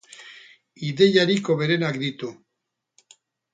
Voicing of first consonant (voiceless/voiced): voiced